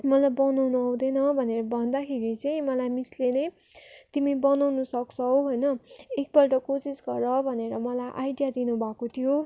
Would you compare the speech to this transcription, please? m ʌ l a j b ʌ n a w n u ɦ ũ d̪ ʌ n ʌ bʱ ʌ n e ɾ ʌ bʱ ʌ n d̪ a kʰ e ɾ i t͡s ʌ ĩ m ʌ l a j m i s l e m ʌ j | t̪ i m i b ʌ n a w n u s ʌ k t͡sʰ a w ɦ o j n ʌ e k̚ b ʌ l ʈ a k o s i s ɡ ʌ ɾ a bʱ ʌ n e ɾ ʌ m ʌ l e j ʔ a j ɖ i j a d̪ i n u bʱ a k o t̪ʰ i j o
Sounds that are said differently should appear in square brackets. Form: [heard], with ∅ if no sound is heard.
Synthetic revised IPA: m ʌ l a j b ʌ n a w n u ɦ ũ d̪ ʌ n ʌ bʱ ʌ n e ɾ ʌ bʱ ʌ n d̪ a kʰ e ɾ i t͡s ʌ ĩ m ʌ l a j m i s l e [n] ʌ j | t̪ i m i b ʌ n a w n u s ʌ k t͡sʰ [ʌ] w ɦ o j n ʌ e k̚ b ʌ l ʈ [ʌ] k o s i s ɡ ʌ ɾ [ʌ] bʱ ʌ n e ɾ ʌ m ʌ l [a] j ʔ a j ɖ i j a d̪ i n u bʱ a k o t̪ʰ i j o

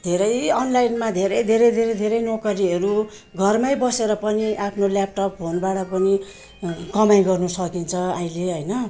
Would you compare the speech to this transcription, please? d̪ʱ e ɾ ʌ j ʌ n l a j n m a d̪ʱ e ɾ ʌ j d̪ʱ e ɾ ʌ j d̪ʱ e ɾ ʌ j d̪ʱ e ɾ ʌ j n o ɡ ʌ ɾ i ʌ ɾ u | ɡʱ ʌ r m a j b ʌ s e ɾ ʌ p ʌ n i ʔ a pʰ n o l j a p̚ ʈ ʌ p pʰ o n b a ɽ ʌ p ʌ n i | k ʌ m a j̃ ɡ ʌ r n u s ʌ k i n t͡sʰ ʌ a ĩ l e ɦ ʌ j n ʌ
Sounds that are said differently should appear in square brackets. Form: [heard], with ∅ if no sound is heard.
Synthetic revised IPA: d̪ʱ e ɾ ʌ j ʌ n l a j n m a d̪ʱ e ɾ ʌ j d̪ʱ e ɾ ʌ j d̪ʱ e ɾ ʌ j d̪ʱ e ɾ ʌ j n o [k] ʌ ɾ i ʌ ɾ u | ɡʱ ʌ r m a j b ʌ s e ɾ ʌ p ʌ n i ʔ a pʰ n o l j a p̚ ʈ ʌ p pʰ o n b a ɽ ʌ p ʌ n i | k ʌ m a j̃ ɡ ʌ r n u s ʌ k i n t͡sʰ ʌ a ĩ l e ɦ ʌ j n ʌ

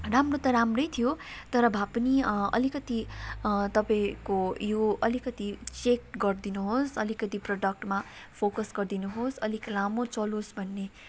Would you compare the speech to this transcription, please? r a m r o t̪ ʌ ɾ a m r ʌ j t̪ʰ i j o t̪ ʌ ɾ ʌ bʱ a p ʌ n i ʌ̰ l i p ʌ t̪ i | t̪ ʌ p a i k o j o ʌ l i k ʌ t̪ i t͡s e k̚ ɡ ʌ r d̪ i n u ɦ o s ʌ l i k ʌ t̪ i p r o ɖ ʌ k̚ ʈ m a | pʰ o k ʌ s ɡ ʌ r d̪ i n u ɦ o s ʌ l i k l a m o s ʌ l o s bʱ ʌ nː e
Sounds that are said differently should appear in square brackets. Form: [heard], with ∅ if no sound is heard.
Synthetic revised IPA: r a m r o t̪ ʌ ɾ a m r ʌ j t̪ʰ i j o t̪ ʌ ɾ ʌ bʱ a p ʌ n i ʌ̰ l i [k] ʌ t̪ i | t̪ ʌ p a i k o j o ʌ l i k ʌ t̪ i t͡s e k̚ ɡ ʌ r d̪ i n u ɦ o s ʌ l i k ʌ t̪ i p r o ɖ ʌ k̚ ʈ m a | pʰ o k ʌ s ɡ ʌ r d̪ i n u ɦ o s ʌ l i k l a m o [t͡s] ʌ l o s bʱ ʌ nː e

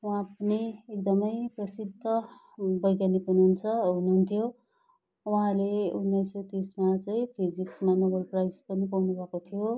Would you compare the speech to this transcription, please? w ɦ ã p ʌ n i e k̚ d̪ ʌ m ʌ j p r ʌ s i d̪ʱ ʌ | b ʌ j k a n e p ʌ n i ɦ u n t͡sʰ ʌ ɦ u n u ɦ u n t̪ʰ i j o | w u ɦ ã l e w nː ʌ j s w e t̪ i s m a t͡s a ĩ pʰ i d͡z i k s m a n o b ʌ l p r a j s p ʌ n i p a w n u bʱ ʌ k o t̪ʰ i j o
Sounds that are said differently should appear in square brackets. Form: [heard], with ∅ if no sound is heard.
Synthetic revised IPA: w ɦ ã p ʌ n i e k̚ d̪ ʌ m ʌ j p r ʌ s i d̪ʱ ʌ | b ʌ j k a n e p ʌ n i ɦ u n t͡sʰ ʌ ɦ u n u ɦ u n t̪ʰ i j o | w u ɦ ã l e [u] nː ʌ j s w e t̪ i s m a t͡s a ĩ pʰ i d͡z i k s m a n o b ʌ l p r a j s p ʌ n i p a w n u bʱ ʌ k o t̪ʰ i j o

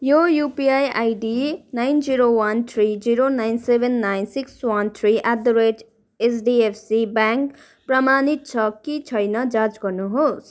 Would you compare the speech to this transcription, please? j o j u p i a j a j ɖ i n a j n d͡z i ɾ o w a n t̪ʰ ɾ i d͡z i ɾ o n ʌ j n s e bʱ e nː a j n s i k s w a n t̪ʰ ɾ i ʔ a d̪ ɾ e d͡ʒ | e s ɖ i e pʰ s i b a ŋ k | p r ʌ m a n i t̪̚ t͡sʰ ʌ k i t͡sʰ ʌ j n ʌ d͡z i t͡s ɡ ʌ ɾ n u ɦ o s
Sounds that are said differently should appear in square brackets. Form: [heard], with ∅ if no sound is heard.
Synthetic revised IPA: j o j u p i a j a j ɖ i n a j n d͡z i ɾ o w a n t̪ʰ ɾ i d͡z i ɾ o n [a] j n s e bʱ e nː a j n s i k s w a n t̪ʰ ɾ i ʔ a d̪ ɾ e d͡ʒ | e s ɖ i e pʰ s i b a ŋ k | p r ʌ m a n i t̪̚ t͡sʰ ʌ k i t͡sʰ ʌ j n ʌ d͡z [a] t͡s ɡ ʌ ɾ n u ɦ o s

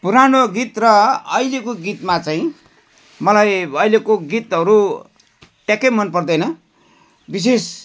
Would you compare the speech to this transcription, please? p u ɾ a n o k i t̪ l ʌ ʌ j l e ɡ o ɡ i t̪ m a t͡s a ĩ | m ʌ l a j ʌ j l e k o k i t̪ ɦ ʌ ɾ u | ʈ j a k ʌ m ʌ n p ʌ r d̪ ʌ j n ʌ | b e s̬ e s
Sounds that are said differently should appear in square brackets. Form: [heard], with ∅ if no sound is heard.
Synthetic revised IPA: p u ɾ a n o [ɡ] i t̪ [r] ʌ ʌ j l e [k] o ɡ i t̪ m a t͡s a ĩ | m ʌ l a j ʌ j l e k o [ɡ] i t̪ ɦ ʌ ɾ u | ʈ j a k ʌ m ʌ n p ʌ r d̪ ʌ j n ʌ | b [i] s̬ e s

